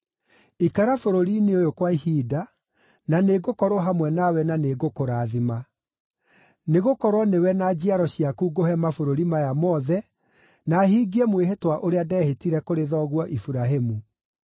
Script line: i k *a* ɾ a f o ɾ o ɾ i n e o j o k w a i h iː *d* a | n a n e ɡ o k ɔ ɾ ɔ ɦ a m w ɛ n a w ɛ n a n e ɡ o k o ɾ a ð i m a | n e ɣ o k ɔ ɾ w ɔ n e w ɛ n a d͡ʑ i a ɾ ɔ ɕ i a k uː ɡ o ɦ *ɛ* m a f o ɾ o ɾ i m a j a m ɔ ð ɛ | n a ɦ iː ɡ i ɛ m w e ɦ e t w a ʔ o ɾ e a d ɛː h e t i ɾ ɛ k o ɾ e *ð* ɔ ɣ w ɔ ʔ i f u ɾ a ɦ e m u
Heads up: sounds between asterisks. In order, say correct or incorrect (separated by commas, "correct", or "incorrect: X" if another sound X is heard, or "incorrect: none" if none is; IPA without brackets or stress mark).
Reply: correct, correct, correct, correct